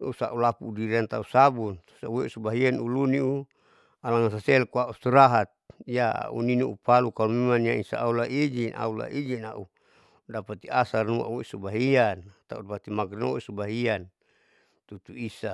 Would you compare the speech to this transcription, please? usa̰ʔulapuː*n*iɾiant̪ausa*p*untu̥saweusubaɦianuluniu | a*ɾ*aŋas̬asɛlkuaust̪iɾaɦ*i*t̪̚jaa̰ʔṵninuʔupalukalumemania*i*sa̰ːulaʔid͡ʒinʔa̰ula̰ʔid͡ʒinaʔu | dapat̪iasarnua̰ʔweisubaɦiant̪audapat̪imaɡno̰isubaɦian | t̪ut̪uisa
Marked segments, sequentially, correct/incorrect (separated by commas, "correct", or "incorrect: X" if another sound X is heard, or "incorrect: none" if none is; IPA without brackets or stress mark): incorrect: d, incorrect: b, incorrect: l, incorrect: a, correct